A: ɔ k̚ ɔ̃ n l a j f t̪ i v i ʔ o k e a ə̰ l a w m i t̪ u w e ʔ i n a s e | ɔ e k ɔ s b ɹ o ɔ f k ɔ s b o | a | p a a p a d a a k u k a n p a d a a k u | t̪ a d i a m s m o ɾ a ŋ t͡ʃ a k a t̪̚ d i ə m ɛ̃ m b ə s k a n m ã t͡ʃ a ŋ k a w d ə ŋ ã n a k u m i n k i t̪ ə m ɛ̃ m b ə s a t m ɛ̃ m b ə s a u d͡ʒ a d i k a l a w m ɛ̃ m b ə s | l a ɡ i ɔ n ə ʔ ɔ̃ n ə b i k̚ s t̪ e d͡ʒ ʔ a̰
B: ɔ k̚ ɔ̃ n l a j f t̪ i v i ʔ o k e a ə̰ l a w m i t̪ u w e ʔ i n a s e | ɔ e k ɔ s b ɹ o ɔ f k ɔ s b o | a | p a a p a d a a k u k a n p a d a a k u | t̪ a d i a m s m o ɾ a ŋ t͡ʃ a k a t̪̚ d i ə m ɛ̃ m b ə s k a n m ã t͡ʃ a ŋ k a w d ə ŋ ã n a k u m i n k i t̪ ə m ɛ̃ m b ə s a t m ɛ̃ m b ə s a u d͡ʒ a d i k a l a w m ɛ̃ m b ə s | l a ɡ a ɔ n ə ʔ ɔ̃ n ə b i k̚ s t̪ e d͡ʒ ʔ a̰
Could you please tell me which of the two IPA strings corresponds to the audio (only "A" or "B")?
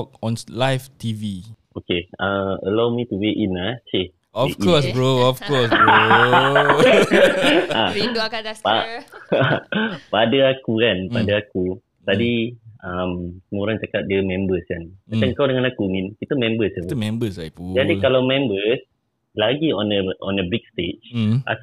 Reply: A